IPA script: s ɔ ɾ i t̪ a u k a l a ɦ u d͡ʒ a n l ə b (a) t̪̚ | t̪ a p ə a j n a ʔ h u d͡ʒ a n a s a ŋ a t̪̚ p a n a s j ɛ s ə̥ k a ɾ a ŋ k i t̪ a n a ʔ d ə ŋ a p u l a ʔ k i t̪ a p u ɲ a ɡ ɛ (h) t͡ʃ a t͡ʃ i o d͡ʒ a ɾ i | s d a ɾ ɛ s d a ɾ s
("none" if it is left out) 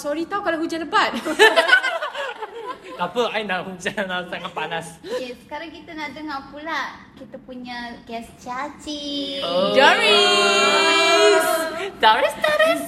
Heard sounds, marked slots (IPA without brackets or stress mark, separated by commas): a, s